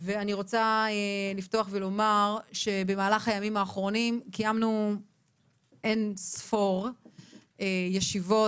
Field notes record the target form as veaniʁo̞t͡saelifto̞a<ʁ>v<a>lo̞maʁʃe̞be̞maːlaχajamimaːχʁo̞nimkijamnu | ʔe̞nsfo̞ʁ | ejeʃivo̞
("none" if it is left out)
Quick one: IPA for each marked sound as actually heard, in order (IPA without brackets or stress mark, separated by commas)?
χ, e